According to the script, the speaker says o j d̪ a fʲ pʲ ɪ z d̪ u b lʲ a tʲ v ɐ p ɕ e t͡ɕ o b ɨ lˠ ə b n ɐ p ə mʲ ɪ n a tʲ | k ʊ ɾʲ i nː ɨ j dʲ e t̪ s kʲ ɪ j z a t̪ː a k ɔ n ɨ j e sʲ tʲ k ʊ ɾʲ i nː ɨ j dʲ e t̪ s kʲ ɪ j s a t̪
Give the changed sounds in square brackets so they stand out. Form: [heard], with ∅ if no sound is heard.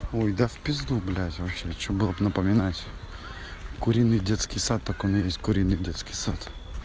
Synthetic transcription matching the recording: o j d̪ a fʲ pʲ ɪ z d̪ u b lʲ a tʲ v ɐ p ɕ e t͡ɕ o b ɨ lˠ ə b n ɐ p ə mʲ ɪ n a tʲ | k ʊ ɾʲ i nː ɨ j dʲ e t̪ s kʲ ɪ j [s] a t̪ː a k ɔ n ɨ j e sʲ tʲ k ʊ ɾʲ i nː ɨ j dʲ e t̪ s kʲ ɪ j s a t̪